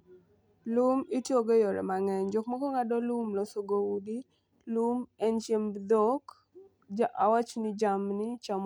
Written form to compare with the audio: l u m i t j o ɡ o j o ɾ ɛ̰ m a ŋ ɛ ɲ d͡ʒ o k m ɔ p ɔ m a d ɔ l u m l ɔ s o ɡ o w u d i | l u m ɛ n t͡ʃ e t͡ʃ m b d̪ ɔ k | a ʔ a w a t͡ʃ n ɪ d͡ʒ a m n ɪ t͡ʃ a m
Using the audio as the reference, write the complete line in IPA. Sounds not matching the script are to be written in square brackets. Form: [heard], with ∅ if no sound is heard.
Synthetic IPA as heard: l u m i t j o ɡ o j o ɾ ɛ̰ m a ŋ ɛ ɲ d͡ʒ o k m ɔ [k] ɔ [ŋ] a d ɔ l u m l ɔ s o ɡ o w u d i | l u m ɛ n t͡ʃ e [∅] m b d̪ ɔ k | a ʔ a w a t͡ʃ n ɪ d͡ʒ a m n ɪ t͡ʃ a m